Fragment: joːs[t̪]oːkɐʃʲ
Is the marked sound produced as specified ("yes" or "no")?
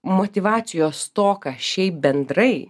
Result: yes